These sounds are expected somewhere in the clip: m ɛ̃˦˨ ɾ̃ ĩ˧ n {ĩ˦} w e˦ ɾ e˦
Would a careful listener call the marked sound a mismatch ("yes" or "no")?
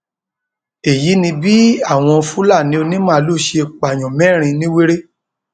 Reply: no